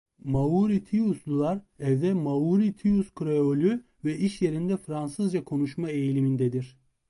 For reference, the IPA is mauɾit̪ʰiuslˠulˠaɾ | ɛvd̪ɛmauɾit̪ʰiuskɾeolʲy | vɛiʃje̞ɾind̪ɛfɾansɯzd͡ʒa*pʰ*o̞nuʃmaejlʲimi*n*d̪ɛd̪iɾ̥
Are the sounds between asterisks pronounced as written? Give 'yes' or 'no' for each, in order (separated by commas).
no, yes